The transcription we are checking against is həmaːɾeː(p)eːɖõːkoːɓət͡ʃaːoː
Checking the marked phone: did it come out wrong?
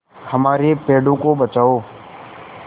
no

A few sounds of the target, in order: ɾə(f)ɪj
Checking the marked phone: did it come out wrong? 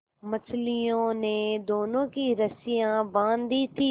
yes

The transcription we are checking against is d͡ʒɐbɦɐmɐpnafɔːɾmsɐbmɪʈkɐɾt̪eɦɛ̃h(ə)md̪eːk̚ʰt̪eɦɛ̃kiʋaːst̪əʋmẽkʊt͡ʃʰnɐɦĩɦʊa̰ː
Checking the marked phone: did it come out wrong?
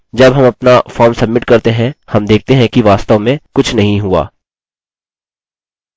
yes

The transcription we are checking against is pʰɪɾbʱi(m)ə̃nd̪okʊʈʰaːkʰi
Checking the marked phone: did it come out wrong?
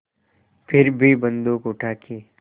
yes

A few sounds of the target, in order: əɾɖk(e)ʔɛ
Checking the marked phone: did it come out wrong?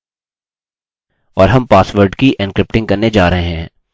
yes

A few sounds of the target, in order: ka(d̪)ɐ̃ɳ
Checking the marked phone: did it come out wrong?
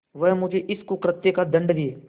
no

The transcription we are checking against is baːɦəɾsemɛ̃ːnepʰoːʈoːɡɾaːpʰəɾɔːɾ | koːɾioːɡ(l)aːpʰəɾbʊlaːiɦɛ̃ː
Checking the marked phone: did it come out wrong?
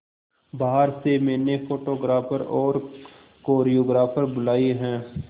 yes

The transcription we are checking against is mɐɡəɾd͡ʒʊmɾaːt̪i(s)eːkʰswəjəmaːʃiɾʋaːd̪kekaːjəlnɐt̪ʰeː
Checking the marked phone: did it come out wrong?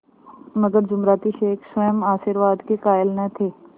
yes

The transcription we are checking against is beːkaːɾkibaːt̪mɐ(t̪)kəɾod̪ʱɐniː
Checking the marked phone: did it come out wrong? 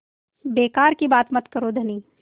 no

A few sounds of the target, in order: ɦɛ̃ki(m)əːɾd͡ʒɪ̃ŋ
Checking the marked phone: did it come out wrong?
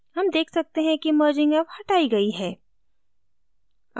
no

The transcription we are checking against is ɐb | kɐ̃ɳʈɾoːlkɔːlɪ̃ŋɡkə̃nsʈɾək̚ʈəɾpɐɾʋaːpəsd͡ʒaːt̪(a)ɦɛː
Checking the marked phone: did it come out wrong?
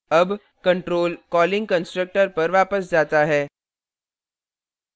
no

